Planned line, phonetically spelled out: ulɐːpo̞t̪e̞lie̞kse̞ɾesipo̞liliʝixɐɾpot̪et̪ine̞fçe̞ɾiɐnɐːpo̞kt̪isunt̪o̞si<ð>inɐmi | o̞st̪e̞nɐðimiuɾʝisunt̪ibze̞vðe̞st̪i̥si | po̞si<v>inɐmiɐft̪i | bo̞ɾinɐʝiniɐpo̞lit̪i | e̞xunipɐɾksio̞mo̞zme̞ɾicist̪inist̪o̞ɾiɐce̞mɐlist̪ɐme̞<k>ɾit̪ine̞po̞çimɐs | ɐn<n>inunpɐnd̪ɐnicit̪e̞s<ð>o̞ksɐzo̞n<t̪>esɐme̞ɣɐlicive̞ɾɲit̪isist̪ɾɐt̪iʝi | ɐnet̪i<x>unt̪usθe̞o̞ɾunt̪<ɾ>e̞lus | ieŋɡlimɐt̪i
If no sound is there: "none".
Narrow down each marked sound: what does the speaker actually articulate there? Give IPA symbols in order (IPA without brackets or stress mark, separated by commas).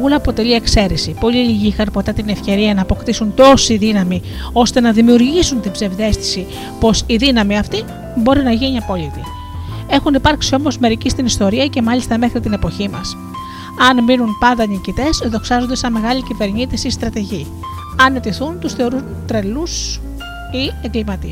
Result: ð, ð, x, m, ð, d̪, θ, ɾ